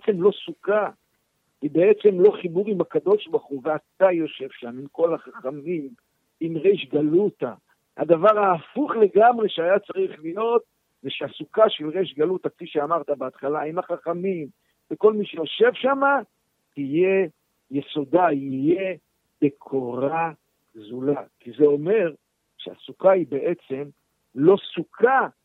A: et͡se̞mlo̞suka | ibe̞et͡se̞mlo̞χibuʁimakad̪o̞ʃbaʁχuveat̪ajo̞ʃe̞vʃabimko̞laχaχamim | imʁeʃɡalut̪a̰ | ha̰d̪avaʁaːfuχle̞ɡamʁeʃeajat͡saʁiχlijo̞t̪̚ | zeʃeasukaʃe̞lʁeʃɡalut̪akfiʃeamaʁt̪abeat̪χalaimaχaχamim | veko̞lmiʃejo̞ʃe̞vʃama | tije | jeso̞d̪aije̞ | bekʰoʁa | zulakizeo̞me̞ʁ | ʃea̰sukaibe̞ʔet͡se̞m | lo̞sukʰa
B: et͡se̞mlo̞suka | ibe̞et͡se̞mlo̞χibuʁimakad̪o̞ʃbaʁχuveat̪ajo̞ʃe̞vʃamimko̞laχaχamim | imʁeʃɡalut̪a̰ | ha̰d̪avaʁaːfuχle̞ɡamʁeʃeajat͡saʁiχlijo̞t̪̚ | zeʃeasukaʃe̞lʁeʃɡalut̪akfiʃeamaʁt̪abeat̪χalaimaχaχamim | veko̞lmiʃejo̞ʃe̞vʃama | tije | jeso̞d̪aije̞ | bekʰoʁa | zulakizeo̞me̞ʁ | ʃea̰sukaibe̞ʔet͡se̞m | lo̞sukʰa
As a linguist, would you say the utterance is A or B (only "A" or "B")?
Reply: B